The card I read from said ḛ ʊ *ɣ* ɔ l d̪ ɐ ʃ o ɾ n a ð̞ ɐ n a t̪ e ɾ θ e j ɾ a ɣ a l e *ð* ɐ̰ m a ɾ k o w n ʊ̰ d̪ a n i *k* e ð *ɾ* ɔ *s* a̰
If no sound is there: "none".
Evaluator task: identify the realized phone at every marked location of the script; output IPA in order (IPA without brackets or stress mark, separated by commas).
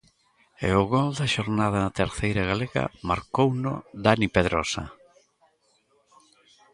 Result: ɣ, ɣ, p, ɾ, s